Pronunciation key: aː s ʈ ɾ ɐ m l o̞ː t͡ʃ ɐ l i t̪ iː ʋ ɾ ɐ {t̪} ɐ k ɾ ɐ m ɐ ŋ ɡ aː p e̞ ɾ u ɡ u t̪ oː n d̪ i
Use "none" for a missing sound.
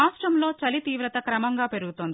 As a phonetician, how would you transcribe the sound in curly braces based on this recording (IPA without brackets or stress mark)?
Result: t̪